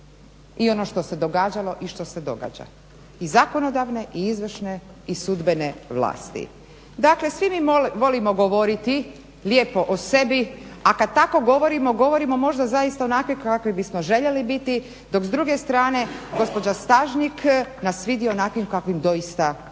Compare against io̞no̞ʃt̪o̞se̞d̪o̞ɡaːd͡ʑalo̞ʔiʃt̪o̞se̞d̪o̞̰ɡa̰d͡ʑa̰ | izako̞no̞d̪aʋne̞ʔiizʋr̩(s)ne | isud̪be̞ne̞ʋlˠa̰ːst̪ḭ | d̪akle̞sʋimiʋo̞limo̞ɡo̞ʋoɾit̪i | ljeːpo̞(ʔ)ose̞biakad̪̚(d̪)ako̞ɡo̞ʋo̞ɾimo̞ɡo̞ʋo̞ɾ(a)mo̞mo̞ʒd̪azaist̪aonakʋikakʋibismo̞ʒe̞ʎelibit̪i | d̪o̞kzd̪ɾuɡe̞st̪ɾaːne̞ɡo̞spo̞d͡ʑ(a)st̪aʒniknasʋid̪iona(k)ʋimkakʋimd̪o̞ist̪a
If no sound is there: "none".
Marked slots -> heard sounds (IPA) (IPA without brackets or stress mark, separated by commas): ʃ, ʔ, t̪, i, a, k